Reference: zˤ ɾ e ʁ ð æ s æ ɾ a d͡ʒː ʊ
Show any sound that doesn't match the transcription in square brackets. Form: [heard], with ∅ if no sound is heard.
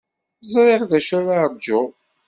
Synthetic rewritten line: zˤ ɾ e ʁ ð æ [ʃ] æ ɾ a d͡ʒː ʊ